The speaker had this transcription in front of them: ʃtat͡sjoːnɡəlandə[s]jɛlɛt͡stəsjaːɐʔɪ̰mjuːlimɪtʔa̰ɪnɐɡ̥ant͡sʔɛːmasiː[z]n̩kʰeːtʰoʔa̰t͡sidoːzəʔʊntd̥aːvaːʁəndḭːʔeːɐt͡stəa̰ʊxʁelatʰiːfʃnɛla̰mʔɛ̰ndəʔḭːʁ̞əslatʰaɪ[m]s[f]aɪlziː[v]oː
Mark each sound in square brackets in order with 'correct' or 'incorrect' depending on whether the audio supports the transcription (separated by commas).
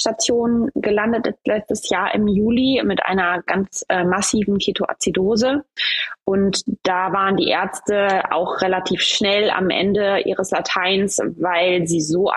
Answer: incorrect, incorrect, incorrect, incorrect, incorrect